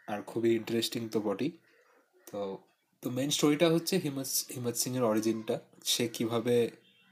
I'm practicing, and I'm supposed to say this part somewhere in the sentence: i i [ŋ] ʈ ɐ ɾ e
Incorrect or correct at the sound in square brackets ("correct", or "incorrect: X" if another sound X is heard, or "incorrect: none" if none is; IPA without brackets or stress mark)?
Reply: incorrect: ɳ